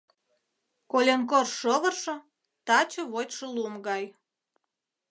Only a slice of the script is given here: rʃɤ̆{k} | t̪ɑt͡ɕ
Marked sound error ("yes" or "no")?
yes